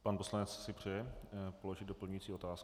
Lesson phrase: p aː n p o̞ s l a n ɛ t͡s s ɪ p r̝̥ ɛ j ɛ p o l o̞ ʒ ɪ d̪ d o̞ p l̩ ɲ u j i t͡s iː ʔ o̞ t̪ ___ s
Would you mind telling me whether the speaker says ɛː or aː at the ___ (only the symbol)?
aː